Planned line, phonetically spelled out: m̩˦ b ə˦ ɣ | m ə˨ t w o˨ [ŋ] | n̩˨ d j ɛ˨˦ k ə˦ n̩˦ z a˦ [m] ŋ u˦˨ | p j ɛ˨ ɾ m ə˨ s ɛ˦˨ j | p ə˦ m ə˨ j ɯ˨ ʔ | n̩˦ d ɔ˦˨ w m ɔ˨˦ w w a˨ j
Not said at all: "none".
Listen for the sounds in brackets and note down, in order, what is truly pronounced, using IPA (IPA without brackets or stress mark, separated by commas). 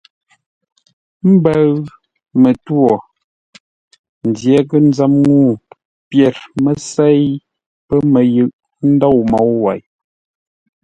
none, m